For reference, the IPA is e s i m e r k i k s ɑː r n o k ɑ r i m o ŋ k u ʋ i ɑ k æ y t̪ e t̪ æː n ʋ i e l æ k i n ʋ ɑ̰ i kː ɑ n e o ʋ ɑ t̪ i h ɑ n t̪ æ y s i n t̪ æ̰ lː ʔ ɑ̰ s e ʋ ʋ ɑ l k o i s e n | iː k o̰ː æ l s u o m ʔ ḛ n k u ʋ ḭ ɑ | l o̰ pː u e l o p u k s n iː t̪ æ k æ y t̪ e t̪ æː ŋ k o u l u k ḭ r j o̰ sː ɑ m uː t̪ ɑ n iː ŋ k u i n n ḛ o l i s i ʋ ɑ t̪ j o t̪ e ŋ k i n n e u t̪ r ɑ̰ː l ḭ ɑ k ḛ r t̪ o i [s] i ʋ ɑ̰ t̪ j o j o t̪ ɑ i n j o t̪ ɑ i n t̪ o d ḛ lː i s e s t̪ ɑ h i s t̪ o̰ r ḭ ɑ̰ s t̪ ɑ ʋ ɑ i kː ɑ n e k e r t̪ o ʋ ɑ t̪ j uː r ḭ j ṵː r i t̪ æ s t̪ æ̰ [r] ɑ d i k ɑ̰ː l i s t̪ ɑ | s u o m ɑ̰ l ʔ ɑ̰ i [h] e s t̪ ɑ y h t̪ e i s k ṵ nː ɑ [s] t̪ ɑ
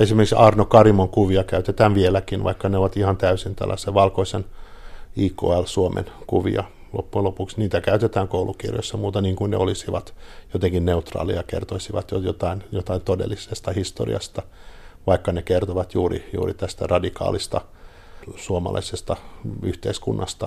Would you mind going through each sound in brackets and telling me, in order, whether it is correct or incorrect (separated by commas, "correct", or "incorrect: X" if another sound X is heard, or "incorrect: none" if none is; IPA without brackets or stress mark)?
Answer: correct, correct, incorrect: s, correct